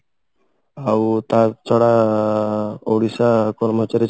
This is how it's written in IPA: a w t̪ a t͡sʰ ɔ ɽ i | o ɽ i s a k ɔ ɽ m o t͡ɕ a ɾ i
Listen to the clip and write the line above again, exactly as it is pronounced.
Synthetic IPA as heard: a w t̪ a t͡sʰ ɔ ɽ a | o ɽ i s a k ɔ ɾ m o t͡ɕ a ɾ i